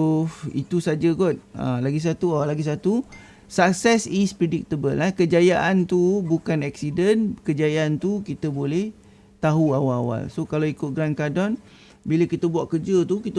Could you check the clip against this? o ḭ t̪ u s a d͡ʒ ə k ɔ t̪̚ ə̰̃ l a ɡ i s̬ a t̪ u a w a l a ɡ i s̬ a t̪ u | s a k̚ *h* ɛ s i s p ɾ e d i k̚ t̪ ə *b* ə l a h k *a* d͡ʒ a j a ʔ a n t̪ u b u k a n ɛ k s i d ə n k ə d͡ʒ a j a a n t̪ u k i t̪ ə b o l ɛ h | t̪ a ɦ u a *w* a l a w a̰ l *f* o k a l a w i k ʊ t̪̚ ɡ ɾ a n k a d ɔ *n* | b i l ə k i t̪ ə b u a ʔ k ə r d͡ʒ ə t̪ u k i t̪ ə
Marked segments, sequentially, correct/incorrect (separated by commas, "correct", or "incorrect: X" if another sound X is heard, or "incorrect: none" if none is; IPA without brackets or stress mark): incorrect: s, correct, incorrect: ə, correct, incorrect: s, correct